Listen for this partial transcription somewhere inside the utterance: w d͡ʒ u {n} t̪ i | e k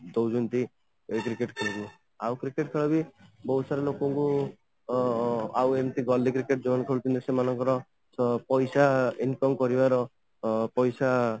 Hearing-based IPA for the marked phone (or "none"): n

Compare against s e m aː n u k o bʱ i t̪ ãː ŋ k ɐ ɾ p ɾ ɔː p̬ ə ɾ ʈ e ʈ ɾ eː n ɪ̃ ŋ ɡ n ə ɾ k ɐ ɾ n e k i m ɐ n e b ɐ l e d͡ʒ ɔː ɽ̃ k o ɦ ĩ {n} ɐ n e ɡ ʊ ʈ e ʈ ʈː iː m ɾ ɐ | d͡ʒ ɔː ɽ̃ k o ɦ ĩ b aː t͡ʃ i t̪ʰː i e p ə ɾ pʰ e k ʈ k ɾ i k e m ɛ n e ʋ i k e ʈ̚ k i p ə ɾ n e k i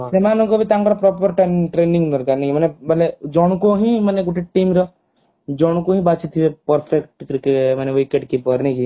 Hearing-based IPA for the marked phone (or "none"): m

